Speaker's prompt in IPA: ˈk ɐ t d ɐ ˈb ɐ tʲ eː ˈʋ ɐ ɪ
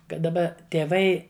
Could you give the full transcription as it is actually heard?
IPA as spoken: ˈk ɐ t d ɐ ˈb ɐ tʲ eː ˈʋ ɐ ɪ